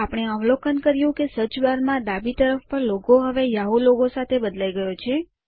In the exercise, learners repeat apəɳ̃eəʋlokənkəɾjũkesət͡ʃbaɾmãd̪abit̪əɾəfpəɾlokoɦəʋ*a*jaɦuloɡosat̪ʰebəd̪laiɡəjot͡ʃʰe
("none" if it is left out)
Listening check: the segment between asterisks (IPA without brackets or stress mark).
e